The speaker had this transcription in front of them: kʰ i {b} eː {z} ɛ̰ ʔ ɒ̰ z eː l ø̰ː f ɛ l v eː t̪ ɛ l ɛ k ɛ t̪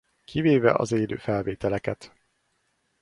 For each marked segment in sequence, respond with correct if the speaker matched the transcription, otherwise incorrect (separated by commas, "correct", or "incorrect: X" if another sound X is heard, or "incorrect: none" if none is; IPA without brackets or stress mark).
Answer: incorrect: v, incorrect: v